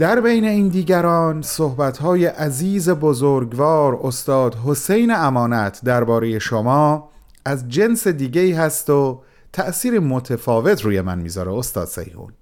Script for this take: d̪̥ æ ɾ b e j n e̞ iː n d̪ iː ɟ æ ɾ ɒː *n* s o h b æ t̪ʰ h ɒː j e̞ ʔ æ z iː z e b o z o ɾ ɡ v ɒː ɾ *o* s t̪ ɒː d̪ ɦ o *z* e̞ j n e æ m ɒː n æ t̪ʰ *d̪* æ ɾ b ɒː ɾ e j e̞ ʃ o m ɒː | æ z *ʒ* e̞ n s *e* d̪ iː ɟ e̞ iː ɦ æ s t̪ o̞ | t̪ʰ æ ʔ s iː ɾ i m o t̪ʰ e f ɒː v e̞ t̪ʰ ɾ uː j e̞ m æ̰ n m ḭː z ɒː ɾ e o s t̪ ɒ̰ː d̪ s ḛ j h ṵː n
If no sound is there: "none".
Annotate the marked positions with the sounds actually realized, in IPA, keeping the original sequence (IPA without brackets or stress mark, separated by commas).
n, o, s, d̪, d͡ʒ, e